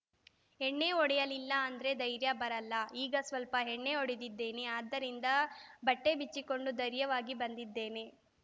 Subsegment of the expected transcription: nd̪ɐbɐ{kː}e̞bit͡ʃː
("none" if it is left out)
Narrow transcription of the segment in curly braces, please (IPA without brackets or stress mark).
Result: ʈː